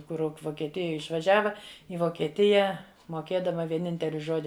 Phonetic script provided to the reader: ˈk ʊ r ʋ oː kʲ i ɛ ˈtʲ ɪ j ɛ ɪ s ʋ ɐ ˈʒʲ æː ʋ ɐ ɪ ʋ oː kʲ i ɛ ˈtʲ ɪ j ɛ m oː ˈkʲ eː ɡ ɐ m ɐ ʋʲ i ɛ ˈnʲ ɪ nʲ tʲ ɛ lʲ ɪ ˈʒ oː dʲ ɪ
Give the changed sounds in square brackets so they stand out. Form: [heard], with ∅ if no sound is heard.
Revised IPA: ˈk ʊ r ʋ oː kʲ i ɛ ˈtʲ ɪ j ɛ ɪ [ʃ] ʋ ɐ ˈʒʲ æː ʋ ɐ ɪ ʋ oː kʲ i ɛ ˈtʲ ɪ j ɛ m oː ˈkʲ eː [d] ɐ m ɐ ʋʲ i ɛ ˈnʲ ɪ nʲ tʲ ɛ lʲ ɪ ˈʒ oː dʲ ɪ